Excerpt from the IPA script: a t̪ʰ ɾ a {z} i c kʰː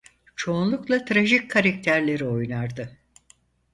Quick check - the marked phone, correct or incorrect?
incorrect